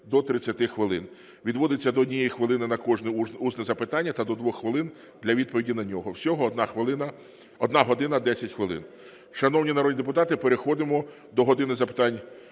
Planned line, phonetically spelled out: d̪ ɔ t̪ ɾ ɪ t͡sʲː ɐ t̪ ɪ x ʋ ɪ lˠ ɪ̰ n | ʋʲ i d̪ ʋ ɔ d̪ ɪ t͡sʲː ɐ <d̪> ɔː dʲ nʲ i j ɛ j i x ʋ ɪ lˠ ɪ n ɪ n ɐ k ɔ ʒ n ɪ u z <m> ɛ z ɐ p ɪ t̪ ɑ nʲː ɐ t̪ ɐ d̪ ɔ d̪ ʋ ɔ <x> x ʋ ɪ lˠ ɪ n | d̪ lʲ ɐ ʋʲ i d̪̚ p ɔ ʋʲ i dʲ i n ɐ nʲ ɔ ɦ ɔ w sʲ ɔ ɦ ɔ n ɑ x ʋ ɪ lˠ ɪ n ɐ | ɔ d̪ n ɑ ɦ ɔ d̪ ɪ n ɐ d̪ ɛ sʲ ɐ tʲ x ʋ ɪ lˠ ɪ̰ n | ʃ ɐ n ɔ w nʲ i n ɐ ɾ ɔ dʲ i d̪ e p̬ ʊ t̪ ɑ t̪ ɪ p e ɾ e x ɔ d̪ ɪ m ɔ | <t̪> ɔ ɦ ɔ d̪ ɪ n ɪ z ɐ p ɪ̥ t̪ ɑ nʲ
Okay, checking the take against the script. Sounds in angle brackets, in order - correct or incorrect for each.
correct, incorrect: n, correct, incorrect: d̪

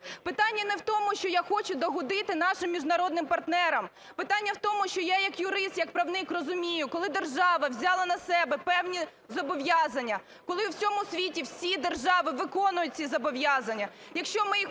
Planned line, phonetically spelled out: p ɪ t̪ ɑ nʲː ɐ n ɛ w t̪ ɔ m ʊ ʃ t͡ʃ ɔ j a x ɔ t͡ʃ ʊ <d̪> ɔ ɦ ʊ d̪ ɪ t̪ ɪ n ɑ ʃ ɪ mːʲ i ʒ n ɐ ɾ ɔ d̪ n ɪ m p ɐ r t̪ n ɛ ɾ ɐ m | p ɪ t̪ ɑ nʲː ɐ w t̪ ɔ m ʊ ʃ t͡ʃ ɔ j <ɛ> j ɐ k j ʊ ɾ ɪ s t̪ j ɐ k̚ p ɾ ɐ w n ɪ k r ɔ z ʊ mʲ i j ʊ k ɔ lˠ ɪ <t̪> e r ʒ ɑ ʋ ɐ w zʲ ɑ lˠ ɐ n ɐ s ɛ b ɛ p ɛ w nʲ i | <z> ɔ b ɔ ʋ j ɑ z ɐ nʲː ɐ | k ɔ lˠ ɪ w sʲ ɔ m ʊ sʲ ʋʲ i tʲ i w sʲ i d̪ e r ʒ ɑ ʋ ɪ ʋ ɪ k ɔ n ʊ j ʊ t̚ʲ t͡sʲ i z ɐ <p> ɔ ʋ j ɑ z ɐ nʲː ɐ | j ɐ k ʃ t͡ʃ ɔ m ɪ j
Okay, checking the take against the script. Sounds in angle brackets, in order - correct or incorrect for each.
correct, incorrect: a, incorrect: d̪, correct, incorrect: b

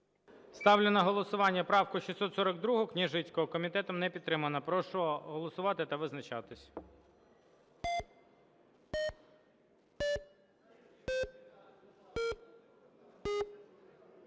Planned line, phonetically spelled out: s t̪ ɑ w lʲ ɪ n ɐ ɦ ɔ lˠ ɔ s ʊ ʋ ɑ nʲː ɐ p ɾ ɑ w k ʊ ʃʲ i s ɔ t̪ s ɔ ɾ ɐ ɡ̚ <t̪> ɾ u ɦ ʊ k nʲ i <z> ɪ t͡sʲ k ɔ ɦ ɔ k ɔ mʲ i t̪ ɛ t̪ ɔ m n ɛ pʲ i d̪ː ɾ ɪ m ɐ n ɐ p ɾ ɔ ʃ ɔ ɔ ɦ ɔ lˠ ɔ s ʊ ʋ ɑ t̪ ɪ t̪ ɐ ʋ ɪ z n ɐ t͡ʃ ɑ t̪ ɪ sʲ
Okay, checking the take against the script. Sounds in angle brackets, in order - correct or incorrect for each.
incorrect: d̪, incorrect: ʒ

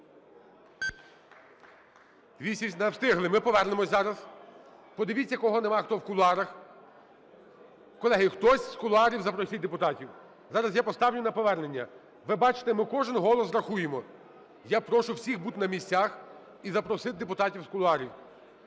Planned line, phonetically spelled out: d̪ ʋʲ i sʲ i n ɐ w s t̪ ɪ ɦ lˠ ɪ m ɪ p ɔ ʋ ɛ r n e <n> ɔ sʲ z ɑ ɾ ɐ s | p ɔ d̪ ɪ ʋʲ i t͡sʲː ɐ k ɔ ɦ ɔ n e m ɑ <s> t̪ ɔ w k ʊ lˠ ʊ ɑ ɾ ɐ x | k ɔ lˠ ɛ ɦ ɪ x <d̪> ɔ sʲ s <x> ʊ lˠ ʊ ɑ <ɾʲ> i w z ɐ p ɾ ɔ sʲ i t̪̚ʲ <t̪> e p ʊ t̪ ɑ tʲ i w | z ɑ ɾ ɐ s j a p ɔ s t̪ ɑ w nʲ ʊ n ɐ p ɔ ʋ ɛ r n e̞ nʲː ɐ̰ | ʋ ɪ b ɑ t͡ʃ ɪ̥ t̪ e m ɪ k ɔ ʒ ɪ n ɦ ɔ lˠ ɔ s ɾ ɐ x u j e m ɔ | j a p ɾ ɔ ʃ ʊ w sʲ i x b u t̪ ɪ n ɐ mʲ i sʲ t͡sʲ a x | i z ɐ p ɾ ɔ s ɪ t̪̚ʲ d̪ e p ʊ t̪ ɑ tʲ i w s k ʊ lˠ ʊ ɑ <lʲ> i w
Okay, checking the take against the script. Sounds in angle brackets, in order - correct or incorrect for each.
incorrect: m, incorrect: x, incorrect: t̪, incorrect: k, correct, incorrect: d̪, incorrect: ɾʲ

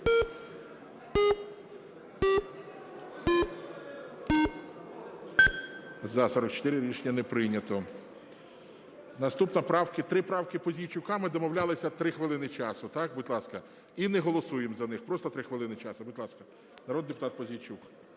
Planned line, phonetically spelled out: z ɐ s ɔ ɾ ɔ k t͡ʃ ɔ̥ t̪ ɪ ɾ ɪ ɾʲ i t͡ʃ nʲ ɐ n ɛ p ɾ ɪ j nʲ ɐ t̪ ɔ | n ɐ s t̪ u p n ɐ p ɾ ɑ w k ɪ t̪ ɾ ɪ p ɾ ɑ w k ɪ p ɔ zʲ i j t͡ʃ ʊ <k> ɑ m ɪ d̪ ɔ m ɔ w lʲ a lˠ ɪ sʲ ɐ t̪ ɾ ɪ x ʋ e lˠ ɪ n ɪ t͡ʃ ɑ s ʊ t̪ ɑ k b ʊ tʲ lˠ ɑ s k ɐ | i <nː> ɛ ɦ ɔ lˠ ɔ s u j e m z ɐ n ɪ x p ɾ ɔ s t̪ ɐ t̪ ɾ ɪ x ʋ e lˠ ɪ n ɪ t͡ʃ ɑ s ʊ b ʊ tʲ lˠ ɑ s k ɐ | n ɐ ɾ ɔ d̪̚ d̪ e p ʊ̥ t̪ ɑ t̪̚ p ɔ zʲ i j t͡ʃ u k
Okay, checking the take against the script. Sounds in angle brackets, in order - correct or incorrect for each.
correct, incorrect: n

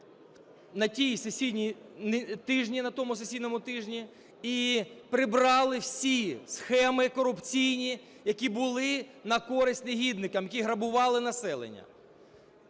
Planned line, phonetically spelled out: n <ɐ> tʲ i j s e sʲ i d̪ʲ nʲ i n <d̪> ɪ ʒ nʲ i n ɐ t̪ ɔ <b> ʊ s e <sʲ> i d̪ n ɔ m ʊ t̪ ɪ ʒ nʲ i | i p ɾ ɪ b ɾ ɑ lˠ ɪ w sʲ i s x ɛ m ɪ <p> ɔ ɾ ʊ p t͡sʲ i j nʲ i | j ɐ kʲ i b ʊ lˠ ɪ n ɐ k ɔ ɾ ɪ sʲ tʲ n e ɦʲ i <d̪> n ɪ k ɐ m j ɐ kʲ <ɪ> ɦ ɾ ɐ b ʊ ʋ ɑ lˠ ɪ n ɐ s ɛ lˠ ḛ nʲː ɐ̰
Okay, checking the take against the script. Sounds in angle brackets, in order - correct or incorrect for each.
correct, incorrect: t̪, incorrect: m, correct, incorrect: k, correct, incorrect: i

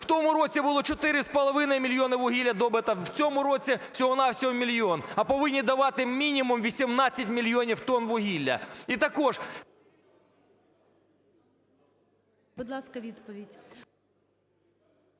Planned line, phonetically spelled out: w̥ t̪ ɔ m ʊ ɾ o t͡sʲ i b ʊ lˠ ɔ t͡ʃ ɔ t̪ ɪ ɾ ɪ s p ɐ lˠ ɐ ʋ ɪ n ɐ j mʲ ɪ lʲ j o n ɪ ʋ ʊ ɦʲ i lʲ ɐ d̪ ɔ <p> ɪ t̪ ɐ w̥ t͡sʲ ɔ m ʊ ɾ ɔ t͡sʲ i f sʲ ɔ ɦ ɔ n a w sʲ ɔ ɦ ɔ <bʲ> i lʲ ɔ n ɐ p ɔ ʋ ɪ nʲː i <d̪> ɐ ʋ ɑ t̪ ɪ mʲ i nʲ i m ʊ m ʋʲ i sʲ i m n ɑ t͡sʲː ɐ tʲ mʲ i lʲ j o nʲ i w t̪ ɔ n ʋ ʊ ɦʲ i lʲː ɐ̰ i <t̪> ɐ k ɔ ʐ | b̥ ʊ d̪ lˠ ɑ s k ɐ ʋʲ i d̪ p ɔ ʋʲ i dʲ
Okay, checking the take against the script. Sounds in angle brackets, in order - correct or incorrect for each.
incorrect: b, incorrect: mʲ, correct, correct

